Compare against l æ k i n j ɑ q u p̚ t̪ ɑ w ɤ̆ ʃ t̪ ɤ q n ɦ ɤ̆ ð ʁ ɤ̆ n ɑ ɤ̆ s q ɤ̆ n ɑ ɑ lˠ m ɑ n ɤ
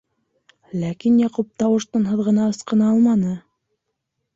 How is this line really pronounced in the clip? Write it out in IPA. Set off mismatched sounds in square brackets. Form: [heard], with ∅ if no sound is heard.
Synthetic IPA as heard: l æ k i n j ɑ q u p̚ t̪ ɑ w ɤ̆ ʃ t̪ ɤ [∅] n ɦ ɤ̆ ð ʁ ɤ̆ n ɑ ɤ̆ s q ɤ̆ n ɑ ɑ lˠ m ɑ n ɤ